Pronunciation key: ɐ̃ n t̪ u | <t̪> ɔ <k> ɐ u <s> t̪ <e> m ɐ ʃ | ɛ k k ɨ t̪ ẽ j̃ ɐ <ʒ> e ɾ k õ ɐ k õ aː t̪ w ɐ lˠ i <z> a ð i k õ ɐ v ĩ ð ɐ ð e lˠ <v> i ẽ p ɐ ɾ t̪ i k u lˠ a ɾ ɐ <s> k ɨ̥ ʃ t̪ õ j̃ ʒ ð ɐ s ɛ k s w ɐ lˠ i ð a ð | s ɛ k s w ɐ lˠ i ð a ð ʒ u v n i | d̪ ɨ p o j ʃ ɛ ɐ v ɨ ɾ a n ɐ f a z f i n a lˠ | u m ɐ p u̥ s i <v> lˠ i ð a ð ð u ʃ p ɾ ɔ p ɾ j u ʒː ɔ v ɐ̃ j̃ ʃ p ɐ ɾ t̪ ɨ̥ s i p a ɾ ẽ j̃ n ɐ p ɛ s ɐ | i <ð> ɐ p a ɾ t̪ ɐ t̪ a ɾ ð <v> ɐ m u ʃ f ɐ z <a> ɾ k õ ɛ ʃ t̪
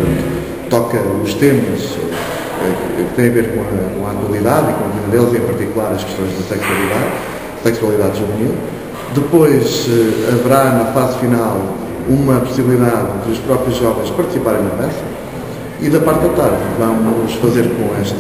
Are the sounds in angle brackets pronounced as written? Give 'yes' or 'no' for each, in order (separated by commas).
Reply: yes, yes, no, yes, no, no, no, no, no, yes, yes, no